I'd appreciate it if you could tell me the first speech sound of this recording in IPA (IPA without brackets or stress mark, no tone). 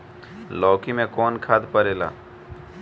l